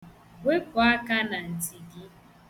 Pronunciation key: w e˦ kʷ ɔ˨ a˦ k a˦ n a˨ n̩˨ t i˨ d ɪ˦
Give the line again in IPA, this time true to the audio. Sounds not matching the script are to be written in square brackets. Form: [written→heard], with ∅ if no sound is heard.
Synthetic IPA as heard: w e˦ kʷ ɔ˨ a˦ k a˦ n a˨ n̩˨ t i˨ [d→ɡ] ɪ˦